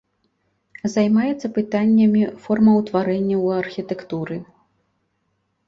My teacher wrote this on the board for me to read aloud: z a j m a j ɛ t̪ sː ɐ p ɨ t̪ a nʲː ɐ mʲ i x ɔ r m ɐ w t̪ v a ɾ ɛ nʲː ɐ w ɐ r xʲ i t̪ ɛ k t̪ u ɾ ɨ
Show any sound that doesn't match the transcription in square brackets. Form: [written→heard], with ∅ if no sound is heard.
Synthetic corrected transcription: z a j m a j ɛ t̪ sː ɐ p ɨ t̪ a nʲː ɐ mʲ i [x→f] ɔ r m ɐ w t̪ v a ɾ ɛ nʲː ɐ w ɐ r xʲ i t̪ ɛ k t̪ u ɾ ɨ